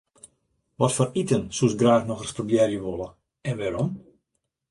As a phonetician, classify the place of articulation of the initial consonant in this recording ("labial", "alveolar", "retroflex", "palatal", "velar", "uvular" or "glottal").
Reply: labial